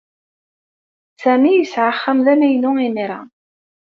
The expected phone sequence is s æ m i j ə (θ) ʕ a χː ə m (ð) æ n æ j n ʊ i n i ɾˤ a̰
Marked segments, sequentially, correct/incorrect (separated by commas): incorrect, correct